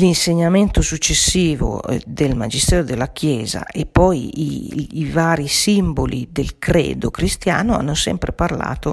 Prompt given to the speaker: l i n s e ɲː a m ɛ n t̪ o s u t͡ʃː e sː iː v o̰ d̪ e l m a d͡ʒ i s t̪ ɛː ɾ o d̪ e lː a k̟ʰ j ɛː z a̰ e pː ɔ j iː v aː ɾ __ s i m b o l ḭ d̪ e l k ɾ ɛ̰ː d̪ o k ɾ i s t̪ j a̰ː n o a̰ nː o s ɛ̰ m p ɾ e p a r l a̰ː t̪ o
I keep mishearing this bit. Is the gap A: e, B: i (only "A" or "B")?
B